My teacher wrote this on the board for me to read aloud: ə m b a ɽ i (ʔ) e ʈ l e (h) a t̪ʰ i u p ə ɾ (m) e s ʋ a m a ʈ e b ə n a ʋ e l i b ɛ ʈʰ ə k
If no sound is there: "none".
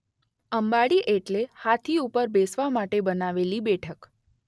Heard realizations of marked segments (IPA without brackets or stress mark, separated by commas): ʔ, h, b